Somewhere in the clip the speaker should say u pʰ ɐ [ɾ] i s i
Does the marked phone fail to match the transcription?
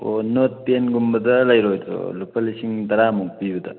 yes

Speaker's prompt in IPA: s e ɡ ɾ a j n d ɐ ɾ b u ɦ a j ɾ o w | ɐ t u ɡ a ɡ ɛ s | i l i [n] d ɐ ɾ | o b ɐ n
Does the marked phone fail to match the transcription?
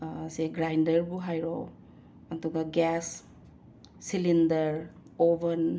no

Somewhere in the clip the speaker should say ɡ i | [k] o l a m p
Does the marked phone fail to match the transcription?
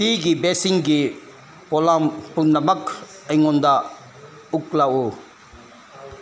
yes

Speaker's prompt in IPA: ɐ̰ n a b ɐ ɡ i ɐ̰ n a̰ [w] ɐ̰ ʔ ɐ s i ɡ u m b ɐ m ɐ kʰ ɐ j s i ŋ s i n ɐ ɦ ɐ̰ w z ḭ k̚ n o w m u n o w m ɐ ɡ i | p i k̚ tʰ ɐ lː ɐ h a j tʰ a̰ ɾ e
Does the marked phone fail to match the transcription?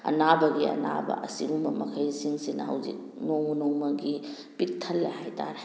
yes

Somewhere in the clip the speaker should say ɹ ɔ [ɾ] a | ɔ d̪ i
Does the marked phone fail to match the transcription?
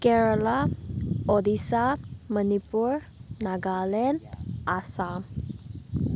yes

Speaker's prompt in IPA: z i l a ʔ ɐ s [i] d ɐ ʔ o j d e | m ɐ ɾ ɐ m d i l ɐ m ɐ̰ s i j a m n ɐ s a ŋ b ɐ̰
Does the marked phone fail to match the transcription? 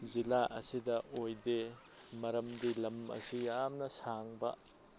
no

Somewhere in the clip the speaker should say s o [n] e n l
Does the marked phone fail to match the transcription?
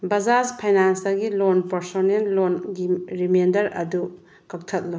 no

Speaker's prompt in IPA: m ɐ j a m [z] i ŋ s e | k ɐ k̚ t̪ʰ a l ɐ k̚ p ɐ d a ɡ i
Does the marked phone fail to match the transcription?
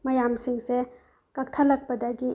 yes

